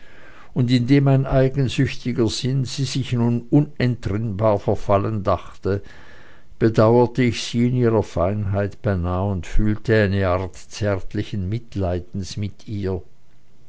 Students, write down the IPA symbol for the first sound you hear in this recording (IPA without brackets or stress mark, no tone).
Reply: ʊ